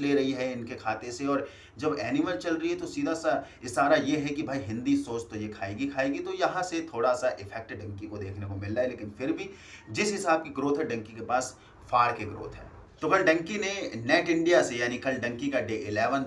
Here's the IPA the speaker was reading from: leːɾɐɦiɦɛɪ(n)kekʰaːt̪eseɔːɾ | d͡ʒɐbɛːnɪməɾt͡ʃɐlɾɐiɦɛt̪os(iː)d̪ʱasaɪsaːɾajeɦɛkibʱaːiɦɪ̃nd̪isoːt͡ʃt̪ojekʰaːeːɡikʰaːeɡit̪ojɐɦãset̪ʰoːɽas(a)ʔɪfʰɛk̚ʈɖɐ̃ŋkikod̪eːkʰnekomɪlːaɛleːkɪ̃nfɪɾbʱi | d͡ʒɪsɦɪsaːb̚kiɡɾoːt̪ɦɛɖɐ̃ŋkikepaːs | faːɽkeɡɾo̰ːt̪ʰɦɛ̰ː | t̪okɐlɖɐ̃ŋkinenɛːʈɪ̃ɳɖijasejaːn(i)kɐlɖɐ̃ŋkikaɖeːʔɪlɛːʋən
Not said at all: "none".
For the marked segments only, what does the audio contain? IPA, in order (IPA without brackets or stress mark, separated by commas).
n, iː, a, i